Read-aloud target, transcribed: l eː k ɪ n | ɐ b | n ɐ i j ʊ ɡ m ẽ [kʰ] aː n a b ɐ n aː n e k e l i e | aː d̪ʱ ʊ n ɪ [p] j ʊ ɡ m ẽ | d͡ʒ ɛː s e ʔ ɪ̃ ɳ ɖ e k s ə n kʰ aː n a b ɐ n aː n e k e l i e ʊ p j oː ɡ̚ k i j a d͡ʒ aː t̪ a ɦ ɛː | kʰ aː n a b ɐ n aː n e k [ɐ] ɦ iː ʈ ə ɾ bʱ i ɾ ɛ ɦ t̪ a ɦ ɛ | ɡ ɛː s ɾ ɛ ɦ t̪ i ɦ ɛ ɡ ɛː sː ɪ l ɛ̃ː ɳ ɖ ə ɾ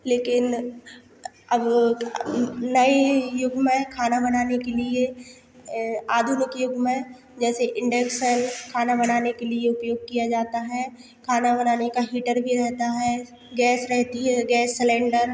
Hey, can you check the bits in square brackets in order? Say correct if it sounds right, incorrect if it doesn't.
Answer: correct, incorrect: k, incorrect: a

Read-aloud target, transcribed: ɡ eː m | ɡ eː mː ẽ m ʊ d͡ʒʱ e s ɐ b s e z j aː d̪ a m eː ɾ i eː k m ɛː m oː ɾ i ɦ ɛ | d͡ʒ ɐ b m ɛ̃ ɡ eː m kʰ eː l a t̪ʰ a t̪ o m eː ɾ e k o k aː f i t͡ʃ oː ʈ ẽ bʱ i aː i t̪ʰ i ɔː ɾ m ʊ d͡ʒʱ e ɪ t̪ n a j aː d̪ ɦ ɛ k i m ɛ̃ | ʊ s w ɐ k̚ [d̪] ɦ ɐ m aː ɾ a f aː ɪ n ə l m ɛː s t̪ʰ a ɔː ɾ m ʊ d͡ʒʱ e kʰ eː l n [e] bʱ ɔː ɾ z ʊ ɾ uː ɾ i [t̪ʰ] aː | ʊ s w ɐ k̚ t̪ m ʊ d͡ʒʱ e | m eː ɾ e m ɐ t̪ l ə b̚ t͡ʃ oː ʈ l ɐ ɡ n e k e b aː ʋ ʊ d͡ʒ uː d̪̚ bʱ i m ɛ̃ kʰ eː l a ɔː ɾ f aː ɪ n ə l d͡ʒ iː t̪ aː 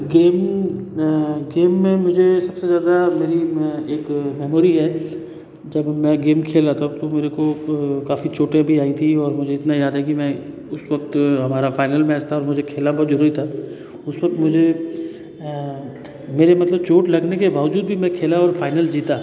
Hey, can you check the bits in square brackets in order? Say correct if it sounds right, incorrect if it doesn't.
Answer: incorrect: t̪, incorrect: a, correct

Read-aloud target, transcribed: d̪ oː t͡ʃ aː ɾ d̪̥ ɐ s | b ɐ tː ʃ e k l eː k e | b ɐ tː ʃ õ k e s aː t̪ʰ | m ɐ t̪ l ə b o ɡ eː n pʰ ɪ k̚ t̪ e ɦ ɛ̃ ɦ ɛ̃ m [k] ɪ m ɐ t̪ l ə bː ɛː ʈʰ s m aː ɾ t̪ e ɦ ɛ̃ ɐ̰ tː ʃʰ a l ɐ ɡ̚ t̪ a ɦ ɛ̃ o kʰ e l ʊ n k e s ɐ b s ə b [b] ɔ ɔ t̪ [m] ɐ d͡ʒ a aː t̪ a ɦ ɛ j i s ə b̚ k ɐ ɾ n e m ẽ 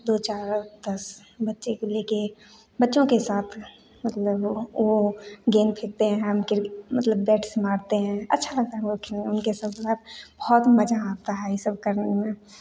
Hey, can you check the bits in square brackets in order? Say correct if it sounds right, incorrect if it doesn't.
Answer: correct, correct, correct

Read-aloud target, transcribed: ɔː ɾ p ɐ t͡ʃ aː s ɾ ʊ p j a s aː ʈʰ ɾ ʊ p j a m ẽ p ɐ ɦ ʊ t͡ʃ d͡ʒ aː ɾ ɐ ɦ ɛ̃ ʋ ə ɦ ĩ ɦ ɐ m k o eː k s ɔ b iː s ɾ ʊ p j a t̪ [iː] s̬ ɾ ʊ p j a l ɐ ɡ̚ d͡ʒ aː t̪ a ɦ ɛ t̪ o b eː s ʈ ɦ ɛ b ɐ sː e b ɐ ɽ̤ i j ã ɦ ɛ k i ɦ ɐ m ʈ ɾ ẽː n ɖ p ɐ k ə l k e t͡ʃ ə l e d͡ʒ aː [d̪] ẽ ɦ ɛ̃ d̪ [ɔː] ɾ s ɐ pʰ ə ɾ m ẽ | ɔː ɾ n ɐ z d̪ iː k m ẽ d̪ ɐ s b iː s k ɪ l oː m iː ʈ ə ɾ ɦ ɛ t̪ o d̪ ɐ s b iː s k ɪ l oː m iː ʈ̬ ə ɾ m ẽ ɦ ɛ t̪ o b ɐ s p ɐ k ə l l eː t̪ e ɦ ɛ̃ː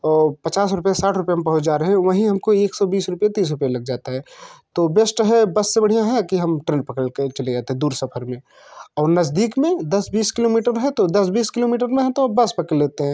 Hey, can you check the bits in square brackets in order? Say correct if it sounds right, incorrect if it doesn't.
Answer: correct, incorrect: t̪, incorrect: uː

